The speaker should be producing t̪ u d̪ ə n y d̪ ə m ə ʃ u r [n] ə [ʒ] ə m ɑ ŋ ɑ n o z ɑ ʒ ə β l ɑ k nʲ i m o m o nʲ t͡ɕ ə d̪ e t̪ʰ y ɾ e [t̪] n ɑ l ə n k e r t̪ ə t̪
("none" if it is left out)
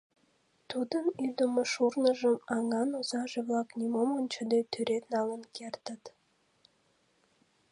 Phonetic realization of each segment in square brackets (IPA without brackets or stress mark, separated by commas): n, ʒ, t̪